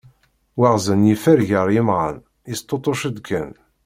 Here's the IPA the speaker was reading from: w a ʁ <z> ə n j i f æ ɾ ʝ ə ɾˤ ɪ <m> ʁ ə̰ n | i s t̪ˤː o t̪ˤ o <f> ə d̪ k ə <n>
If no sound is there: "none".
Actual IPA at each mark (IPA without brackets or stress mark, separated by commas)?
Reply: z, m, ʃ, n